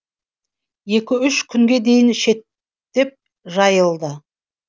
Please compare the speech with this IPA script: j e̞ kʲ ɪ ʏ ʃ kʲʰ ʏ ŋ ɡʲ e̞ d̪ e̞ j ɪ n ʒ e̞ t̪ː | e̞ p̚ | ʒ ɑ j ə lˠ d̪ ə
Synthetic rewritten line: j e̞ kʲ ɪ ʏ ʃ kʲʰ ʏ ŋ ɡʲ e̞ d̪ e̞ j ɪ n ʃ e̞ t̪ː | e̞ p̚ | ʒ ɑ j ə lˠ d̪ ə